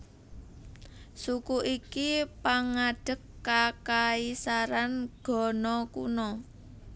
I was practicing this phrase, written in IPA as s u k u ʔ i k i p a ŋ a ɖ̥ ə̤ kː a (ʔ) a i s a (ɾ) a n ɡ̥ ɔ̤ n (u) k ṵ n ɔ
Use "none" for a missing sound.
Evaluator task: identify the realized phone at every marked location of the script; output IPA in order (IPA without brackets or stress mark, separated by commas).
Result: k, ɾ, ɔ